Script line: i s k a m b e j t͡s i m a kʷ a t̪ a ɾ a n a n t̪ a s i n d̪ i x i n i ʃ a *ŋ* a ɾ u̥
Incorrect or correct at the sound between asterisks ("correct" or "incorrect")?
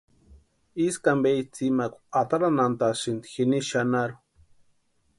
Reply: incorrect